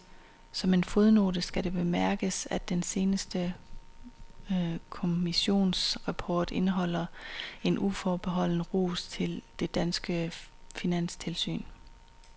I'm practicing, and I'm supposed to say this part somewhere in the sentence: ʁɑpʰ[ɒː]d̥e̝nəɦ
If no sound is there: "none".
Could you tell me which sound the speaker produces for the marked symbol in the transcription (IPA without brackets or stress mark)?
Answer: ɒː